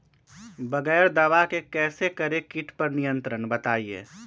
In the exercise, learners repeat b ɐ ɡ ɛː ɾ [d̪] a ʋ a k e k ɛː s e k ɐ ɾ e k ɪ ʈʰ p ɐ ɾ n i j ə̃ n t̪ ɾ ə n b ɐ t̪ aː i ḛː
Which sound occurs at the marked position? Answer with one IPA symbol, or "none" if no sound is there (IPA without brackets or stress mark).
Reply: d̪